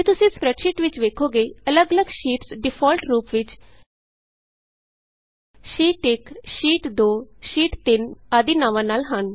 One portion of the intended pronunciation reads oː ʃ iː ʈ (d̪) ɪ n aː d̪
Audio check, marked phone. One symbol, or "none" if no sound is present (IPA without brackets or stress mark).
t̪